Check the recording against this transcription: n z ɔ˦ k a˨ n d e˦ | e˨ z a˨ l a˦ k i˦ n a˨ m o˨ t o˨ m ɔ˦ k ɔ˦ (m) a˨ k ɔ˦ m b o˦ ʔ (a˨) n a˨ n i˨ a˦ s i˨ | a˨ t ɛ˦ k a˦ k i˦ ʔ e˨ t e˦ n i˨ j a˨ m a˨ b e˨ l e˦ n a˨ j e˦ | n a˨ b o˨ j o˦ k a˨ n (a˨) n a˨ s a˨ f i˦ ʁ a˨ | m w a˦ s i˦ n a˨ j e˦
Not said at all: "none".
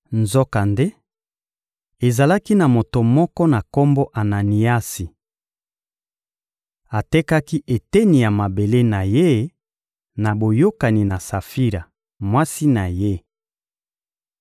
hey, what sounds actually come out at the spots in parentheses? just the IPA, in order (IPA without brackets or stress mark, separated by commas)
n, a˨, i˨